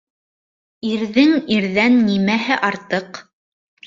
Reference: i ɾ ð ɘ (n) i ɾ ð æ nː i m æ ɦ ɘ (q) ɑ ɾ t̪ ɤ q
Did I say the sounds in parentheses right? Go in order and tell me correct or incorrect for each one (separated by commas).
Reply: incorrect, incorrect